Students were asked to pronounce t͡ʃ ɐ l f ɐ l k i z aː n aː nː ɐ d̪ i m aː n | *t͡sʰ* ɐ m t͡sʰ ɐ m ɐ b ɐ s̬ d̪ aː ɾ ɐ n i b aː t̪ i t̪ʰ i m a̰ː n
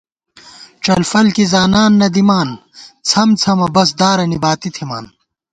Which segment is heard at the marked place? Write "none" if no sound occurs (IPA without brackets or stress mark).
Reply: t͡sʰ